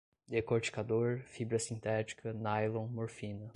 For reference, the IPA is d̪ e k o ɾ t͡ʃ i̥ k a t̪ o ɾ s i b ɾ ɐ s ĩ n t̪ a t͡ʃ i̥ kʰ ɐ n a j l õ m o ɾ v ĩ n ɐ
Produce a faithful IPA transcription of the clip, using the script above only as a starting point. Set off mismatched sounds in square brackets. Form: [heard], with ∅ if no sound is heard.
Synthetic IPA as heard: d̪ e k o ɾ t͡ʃ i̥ k a [d̪] o ɾ [f] i b ɾ ɐ s ĩ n t̪ [ɛ] t͡ʃ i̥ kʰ ɐ n a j l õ m o ɾ [f] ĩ n ɐ